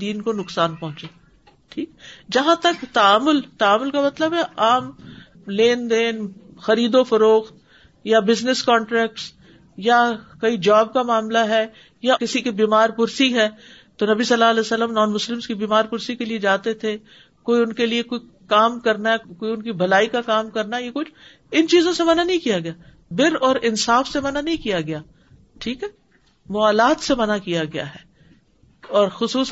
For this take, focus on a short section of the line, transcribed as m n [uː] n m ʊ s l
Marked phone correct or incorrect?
incorrect